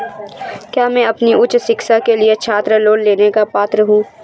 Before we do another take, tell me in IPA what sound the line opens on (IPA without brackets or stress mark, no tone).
k